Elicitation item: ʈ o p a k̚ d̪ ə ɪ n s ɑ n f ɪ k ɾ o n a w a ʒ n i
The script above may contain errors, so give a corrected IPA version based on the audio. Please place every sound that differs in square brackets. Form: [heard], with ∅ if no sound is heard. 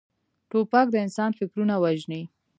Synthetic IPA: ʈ o p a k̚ d̪ ə ɪ n s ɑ n f ɪ k ɾ [u] n a w a ʒ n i